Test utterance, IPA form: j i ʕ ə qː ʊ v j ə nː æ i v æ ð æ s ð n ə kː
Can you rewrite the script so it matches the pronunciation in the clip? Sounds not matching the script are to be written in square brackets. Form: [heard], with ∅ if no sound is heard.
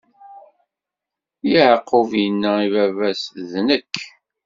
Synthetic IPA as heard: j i ʕ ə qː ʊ v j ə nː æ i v æ [v] æ s ð n ə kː